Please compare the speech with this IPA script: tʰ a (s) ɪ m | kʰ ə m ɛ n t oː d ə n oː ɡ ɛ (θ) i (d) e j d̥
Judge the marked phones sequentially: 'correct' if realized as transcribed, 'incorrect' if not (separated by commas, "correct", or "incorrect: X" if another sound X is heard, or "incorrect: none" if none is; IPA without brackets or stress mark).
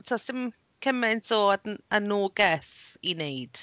correct, correct, incorrect: n